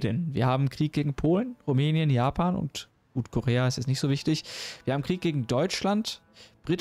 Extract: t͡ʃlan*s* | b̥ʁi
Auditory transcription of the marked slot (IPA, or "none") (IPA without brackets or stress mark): t